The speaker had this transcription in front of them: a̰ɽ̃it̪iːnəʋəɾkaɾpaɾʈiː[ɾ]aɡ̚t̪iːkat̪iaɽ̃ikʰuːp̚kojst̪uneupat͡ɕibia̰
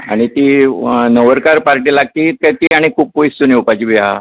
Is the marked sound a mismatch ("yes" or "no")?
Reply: yes